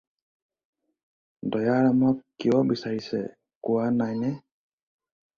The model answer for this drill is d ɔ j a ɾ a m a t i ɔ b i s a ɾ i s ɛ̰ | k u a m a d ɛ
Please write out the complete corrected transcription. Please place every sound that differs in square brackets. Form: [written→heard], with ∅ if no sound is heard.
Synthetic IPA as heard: d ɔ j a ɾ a m a [t→k] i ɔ b i s a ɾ i s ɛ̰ | k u a [m→n] a [d→n] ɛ